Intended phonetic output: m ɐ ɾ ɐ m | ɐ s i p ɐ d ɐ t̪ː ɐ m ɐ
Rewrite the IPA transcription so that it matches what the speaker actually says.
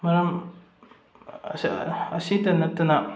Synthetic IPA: m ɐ ɾ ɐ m | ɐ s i t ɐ n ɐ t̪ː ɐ n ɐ